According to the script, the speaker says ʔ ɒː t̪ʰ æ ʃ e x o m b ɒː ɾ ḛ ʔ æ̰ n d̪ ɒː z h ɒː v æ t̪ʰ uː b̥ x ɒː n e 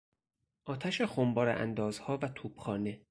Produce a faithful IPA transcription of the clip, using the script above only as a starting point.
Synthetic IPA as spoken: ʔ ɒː t̪ʰ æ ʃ e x o m b ɒː ɾ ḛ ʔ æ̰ n d̪ ɒː z h ɒː v æ t̪ʰ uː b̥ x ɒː n e